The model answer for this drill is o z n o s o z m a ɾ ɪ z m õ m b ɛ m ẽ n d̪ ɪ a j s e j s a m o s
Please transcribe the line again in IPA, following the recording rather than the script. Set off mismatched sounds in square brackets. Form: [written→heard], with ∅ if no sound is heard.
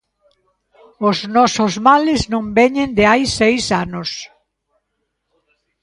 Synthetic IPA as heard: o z n [o→ɔ] s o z m a [ɾ→l] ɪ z [m→n] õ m b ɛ [m→ɲ] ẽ n d̪ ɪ a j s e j s a [m→n] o s